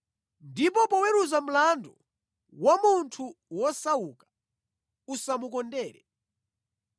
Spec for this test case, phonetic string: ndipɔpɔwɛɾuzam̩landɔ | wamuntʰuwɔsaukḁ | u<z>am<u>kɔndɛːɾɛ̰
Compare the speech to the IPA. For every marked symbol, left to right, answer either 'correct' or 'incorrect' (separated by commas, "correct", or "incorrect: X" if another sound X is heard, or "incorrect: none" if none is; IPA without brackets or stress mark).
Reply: incorrect: s, correct